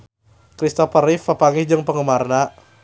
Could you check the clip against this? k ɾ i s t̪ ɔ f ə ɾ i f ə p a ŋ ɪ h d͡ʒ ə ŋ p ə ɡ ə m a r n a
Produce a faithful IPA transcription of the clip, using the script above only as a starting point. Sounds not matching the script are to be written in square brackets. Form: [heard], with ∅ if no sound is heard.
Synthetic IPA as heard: k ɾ i s t̪ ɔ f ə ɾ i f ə p a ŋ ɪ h d͡ʒ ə ŋ p ə [ŋ] ə m a r n a